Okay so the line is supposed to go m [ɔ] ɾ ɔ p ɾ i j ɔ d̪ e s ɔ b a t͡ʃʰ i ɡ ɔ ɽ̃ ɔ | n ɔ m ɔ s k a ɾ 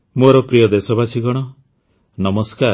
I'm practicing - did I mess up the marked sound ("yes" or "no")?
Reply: yes